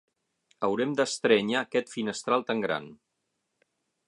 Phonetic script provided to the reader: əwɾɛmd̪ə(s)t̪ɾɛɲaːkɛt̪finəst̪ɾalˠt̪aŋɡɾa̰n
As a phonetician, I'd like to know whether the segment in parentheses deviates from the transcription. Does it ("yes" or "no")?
no